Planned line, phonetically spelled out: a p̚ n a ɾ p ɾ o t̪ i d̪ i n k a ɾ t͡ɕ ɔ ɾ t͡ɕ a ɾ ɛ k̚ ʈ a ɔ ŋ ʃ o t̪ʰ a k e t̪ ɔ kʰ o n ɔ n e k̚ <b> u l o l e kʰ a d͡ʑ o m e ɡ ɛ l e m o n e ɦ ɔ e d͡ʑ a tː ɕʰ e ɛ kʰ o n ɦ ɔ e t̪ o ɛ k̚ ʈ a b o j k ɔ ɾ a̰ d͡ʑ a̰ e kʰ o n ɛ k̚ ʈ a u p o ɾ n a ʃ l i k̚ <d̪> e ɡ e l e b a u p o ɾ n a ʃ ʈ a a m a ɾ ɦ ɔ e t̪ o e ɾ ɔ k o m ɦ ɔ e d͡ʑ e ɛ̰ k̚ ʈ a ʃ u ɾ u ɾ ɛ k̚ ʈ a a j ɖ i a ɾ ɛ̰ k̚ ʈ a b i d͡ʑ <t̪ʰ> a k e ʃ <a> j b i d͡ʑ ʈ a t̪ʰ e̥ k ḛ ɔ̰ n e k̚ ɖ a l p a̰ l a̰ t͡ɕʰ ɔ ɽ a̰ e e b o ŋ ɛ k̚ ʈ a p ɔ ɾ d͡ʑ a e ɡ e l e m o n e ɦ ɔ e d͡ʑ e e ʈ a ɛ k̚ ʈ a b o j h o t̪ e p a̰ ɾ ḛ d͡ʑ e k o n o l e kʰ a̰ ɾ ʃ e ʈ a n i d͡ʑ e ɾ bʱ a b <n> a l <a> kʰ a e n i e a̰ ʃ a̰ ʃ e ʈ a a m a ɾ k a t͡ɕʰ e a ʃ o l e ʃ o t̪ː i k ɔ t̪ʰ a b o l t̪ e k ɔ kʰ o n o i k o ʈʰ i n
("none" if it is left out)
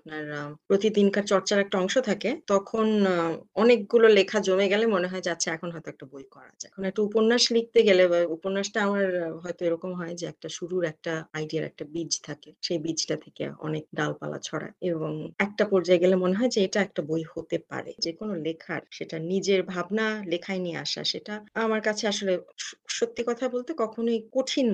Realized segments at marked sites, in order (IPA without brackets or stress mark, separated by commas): ɡ, t̪, t̪ʰ, e, n, e